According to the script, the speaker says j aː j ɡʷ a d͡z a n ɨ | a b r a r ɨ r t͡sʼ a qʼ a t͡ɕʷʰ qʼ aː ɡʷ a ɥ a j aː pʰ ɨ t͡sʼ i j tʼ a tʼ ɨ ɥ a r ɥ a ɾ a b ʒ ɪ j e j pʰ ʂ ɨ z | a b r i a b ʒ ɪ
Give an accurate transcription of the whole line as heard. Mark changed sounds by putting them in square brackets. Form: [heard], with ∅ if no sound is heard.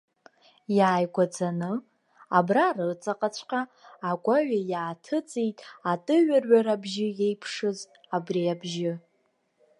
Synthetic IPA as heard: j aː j ɡʷ a d͡z a n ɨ | a b r a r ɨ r t͡sʼ a qʼ a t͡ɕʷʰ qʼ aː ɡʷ a ɥ a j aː [tʰ] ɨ t͡sʼ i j tʼ a tʼ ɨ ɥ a r ɥ a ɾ a b ʒ ɪ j e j pʰ ʂ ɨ z | a b r i a b ʒ ɪ